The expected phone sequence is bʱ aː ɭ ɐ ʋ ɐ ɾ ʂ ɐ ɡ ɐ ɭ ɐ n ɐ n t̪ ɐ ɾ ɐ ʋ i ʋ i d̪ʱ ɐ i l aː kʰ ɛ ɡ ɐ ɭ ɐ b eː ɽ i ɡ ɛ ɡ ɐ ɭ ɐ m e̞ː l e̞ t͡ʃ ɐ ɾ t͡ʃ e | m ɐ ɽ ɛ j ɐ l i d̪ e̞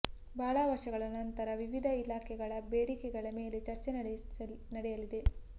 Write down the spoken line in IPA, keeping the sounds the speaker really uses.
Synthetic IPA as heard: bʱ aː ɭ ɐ ʋ ɐ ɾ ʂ ɐ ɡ ɐ ɭ ɐ n ɐ n t̪ ɐ ɾ ɐ ʋ i ʋ i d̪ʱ ɐ i l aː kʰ ɛ ɡ ɐ ɭ ɐ b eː ɽ i k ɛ ɡ ɐ ɭ ɐ m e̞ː l e̞ t͡ʃ ɐ ɾ t͡ʃ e | n ɐ ɽ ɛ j ɐ l i d̪ e̞